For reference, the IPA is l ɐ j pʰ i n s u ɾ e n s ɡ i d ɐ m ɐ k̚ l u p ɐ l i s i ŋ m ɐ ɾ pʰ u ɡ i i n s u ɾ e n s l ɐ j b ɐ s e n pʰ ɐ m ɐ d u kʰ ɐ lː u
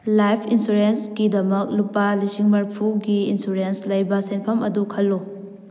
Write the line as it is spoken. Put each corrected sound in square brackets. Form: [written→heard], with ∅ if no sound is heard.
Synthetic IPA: l [ɐ→a] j pʰ i n s u ɾ e n s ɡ i d ɐ m ɐ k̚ l u p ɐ l i s i ŋ m ɐ ɾ pʰ u ɡ i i n s u ɾ e n s l ɐ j b ɐ s e n pʰ ɐ m ɐ d u kʰ ɐ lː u